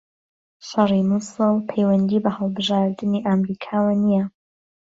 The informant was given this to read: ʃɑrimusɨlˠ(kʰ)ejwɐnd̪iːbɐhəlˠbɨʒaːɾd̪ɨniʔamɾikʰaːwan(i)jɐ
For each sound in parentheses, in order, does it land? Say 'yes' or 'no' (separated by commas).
no, yes